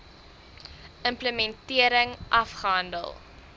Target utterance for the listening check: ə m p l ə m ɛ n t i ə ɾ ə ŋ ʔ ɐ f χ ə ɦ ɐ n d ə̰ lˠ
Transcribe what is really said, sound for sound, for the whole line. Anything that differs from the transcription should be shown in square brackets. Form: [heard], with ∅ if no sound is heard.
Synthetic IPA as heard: ə m p l ə m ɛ n t i ə ɾ ə ŋ ʔ ɐ f χ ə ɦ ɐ n d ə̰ lˠ